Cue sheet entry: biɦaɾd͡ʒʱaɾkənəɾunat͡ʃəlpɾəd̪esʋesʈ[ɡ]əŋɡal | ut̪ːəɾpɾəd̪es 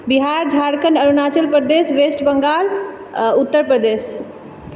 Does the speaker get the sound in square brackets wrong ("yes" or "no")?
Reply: yes